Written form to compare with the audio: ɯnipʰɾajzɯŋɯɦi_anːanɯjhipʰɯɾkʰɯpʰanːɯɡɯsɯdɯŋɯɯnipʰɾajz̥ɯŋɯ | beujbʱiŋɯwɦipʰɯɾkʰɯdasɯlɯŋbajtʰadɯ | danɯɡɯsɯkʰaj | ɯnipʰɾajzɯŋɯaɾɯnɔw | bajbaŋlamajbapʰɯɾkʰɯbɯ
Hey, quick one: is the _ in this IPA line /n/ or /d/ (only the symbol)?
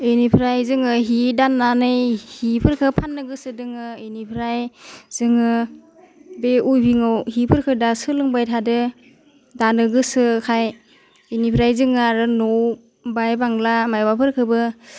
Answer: d